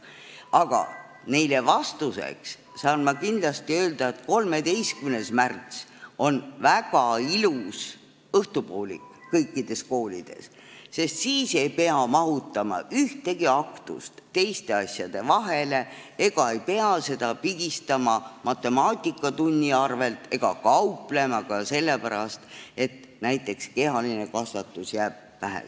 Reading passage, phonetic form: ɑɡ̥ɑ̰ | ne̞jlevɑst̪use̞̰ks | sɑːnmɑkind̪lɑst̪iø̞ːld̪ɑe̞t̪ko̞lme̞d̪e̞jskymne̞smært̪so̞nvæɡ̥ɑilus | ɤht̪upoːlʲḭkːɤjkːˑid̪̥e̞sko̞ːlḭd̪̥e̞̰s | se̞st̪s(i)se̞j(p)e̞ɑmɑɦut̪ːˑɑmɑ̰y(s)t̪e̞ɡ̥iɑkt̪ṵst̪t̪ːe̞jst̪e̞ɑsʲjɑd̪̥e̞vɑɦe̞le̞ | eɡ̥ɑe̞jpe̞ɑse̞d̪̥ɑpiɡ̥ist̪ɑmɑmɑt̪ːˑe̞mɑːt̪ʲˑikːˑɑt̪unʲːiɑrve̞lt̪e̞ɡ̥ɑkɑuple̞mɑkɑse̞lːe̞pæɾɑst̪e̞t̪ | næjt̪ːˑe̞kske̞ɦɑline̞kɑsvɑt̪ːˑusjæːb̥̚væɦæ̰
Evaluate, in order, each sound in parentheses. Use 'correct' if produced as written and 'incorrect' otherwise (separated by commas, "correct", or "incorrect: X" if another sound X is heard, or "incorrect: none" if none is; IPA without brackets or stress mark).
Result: incorrect: iː, correct, incorrect: h